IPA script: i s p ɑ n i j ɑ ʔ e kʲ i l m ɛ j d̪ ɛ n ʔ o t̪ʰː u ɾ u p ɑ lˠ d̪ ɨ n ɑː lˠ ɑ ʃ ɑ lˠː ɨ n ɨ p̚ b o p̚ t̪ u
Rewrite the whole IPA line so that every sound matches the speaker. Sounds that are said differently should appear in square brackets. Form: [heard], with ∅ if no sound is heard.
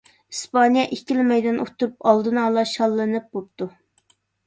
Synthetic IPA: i s p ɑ n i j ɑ ʔ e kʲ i l m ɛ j d̪ ɛ n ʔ o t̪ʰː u ɾ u p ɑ lˠ d̪ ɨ n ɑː lˠ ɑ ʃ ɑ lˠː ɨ n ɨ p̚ b o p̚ t̪ u